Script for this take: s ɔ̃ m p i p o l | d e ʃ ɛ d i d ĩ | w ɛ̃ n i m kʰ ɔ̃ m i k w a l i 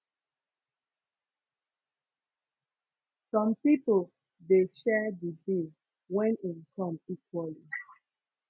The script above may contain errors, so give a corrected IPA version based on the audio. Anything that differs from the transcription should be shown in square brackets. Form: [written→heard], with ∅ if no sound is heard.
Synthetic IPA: s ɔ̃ m p i p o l | d e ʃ ɛ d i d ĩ | w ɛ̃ n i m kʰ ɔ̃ m i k w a l i